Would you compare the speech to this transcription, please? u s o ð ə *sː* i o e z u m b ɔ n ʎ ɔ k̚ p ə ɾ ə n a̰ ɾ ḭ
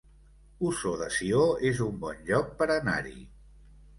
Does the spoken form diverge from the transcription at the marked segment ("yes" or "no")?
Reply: yes